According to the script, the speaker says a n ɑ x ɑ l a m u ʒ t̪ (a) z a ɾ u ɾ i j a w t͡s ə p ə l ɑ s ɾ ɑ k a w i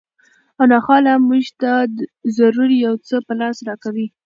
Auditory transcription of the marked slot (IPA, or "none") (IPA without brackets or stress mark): a